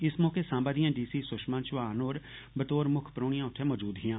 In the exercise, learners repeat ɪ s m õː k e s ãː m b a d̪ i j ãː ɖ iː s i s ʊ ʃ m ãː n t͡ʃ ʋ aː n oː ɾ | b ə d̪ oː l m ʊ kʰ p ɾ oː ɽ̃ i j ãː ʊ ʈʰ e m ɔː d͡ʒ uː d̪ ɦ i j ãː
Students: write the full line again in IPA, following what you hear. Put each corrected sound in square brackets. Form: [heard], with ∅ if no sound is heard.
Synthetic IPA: ɪ s m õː k e s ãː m b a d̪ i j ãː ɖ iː s i s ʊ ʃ m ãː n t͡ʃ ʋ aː n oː ɾ | b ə [t̪] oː [ɾ] m ʊ kʰ p ɾ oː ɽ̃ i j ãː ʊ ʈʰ e m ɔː d͡ʒ uː d̪ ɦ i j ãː